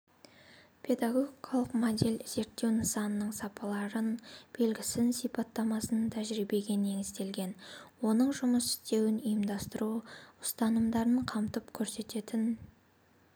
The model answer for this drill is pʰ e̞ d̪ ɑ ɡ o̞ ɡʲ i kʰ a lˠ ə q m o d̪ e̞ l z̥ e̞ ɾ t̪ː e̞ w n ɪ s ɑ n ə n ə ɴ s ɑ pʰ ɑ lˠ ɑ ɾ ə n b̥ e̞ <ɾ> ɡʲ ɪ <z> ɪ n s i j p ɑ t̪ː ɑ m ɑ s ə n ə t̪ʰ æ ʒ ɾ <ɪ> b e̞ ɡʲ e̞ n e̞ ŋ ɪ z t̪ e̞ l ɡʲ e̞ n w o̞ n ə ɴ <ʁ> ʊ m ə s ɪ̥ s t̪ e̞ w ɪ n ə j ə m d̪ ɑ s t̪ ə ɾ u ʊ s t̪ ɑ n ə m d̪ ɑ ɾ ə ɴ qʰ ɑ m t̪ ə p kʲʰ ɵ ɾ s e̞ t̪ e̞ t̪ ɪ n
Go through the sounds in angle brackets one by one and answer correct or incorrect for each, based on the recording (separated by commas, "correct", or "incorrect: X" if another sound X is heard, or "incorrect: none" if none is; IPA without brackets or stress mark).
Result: incorrect: l, incorrect: s, incorrect: i, incorrect: ʒ